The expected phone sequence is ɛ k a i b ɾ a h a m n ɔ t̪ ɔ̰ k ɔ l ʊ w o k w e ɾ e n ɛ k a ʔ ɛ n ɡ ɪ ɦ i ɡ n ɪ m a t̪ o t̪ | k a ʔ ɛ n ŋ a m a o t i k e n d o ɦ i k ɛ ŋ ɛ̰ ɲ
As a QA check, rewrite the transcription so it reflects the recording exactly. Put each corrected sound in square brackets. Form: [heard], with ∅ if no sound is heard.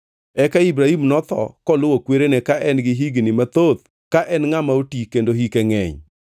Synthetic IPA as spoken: ɛ k a i b ɾ a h [i] m n ɔ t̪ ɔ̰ k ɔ l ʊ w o k w e ɾ e n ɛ k a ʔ ɛ n ɡ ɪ ɦ i ɡ n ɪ m a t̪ o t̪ | k a ʔ ɛ n ŋ a m a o t i k e n d o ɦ i k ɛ ŋ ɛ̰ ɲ

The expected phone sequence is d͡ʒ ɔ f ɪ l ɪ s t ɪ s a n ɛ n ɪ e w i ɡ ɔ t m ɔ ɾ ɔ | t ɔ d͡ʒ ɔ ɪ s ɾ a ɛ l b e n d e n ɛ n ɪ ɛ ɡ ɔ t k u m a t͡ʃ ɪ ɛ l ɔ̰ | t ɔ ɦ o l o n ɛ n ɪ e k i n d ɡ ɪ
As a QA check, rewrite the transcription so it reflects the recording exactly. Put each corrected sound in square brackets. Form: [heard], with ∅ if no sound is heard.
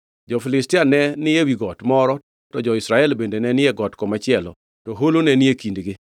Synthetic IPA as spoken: d͡ʒ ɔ f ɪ l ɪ s t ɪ [∅] a n ɛ n ɪ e w i ɡ ɔ t m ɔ ɾ ɔ | t ɔ d͡ʒ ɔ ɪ s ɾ a ɛ l b e n d e n ɛ n ɪ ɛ ɡ ɔ t k [ɔ] m a t͡ʃ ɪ ɛ l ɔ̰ | t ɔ ɦ o l o n ɛ n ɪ e k i n d ɡ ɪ

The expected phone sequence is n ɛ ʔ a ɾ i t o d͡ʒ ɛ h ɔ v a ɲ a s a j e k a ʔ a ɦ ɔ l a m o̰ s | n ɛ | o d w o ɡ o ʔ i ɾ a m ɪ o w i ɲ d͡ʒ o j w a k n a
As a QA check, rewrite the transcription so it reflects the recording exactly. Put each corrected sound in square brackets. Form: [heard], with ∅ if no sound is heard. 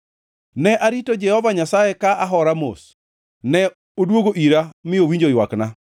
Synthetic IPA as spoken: n ɛ ʔ a ɾ i t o d͡ʒ ɛ h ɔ v a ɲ a s a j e k a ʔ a ɦ ɔ [ɾ] a m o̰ s | n ɛ | o d w o ɡ o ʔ i ɾ a m ɪ o w i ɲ d͡ʒ o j w a k n a

